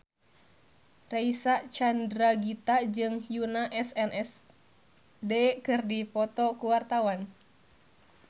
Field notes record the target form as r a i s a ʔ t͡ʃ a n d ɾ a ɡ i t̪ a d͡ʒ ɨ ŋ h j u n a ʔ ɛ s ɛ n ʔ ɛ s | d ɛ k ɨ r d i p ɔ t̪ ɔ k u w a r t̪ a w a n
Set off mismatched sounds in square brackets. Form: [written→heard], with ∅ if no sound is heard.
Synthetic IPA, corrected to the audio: r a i s a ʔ t͡ʃ a n d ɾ a ɡ i t̪ a d͡ʒ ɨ ŋ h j u n a ʔ ɛ s ɛ n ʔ ɛ s | d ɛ k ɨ r d i p ɔ t̪ ɔ k u w a r t̪ a w a n